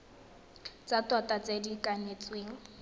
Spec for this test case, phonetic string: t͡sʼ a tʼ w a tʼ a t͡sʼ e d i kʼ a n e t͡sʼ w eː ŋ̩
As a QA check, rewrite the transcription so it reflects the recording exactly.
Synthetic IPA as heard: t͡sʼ a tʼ w a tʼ a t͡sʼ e d i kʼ a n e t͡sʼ w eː ŋ̩